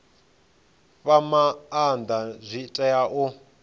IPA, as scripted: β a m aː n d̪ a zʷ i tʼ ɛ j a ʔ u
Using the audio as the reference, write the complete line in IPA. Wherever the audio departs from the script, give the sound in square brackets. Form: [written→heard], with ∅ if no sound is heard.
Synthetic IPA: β a m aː n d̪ a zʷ i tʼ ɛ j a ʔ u